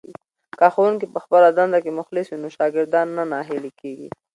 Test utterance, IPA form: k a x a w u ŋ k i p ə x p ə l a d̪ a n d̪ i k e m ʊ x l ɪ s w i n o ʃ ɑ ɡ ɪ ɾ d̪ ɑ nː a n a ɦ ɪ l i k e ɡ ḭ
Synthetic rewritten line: k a x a w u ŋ k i p ə x p ə l a d̪ a n d̪ a k e m ʊ x l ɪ s w i n o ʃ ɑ ɡ ɪ ɾ d̪ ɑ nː a n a ɦ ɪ l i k e ɡ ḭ